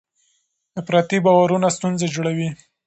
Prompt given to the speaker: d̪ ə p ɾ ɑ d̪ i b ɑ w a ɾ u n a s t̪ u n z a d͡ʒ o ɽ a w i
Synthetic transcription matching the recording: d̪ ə p ɾ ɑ t̪ i b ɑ w a ɾ u n a s t̪ u n z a d͡ʒ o ɽ a w i